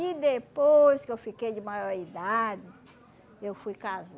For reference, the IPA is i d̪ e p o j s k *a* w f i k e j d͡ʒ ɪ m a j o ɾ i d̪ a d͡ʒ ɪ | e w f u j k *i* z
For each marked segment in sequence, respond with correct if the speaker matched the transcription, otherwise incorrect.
incorrect: e, incorrect: a

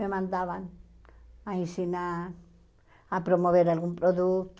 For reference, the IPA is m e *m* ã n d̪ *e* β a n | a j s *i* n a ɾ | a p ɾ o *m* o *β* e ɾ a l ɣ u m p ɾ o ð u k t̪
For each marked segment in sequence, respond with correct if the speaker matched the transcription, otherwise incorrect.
correct, incorrect: a, correct, correct, correct

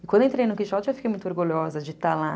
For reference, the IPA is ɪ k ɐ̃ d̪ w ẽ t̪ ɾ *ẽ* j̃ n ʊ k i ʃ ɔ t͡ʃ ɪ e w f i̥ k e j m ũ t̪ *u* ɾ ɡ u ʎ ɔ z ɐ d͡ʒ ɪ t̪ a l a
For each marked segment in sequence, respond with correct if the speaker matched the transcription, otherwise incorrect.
incorrect: e, incorrect: o

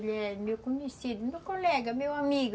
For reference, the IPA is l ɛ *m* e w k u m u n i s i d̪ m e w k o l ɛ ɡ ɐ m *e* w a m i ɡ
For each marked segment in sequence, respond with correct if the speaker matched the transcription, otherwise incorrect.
correct, correct

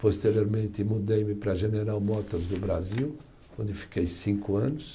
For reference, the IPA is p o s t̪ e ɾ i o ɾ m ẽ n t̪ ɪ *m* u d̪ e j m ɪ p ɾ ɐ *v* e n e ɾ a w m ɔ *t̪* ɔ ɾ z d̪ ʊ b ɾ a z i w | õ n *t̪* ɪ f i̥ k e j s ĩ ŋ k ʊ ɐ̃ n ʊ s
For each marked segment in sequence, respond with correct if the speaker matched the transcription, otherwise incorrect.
correct, incorrect: ʒ, correct, incorrect: d̪

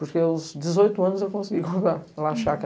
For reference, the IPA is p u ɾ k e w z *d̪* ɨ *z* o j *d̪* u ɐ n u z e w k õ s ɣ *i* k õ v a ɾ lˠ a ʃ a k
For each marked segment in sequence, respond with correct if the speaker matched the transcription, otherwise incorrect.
correct, correct, incorrect: t̪, correct

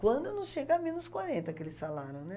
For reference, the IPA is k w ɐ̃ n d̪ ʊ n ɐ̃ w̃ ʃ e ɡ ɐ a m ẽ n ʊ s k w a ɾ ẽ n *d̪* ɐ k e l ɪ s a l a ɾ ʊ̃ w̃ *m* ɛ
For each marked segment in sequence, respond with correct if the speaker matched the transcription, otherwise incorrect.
incorrect: t̪, incorrect: n

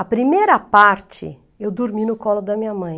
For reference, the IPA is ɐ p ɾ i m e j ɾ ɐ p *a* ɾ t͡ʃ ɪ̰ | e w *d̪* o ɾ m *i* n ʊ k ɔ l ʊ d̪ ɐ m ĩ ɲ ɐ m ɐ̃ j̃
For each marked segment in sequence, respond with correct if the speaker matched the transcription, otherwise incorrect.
correct, correct, correct

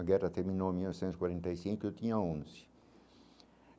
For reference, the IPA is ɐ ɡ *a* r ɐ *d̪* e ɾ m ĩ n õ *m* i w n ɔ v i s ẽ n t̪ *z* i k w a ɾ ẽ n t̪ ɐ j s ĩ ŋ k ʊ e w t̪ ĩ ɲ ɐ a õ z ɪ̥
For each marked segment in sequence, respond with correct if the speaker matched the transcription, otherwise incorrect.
incorrect: ɛ, incorrect: t̪, correct, correct

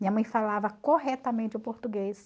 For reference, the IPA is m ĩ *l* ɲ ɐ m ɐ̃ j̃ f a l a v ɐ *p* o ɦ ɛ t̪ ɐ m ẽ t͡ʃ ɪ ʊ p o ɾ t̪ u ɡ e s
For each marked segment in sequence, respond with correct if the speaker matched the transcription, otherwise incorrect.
incorrect: none, incorrect: k

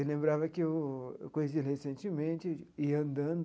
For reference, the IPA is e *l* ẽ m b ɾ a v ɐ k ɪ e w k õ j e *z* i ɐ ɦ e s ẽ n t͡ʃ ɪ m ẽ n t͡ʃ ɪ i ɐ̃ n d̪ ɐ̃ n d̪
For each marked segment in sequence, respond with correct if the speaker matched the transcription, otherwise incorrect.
correct, incorrect: s

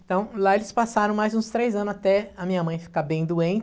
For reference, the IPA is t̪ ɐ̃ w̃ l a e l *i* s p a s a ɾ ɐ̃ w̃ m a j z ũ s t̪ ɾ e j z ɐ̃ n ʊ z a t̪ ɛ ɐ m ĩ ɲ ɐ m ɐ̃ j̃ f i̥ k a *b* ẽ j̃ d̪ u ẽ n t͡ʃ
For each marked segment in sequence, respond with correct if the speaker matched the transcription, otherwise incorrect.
incorrect: ɪ, correct

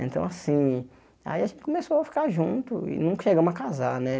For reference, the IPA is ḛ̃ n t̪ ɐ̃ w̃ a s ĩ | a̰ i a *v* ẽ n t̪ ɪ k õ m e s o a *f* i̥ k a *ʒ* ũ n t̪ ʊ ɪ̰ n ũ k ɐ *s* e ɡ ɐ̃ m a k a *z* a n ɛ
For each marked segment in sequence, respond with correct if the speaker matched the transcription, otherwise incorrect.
incorrect: ʒ, correct, correct, incorrect: ʃ, correct

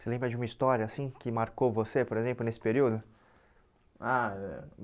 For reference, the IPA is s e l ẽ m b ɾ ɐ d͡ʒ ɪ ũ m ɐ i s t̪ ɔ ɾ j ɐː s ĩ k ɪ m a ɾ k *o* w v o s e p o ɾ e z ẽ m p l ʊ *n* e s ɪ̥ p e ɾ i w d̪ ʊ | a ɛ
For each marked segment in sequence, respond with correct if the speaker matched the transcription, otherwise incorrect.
correct, correct

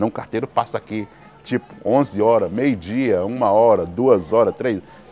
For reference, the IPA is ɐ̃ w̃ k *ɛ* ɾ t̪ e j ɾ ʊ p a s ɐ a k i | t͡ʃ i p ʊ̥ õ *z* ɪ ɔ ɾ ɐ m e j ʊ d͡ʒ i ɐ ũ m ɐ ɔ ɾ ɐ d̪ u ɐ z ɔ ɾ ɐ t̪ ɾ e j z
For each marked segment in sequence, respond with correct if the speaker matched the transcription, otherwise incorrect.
incorrect: a, correct

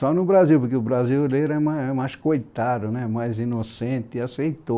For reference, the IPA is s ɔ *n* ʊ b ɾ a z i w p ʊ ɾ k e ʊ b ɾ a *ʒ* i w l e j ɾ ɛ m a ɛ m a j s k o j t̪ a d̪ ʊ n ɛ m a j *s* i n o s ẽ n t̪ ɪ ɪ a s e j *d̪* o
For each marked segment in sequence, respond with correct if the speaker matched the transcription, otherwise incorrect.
correct, incorrect: z, incorrect: z, incorrect: t̪

